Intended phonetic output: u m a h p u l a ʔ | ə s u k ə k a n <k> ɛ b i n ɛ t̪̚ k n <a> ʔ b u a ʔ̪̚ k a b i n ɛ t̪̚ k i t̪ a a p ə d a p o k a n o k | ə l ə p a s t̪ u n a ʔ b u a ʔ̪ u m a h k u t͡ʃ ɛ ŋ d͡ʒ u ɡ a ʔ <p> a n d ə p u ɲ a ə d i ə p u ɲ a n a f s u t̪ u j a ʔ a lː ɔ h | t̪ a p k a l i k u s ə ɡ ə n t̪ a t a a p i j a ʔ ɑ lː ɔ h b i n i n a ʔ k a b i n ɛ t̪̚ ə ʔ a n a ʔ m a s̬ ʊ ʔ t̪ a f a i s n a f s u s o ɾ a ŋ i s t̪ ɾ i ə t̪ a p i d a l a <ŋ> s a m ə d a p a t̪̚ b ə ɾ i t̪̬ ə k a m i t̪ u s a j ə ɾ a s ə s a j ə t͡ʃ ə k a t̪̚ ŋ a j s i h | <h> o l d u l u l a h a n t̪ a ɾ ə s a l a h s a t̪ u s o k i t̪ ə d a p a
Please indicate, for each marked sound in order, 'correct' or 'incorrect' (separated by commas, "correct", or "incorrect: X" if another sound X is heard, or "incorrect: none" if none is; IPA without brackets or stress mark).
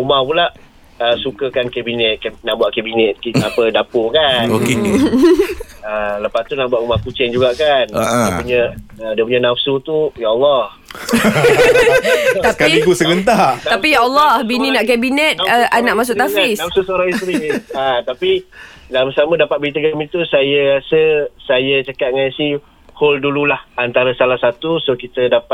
correct, correct, incorrect: k, incorrect: m, correct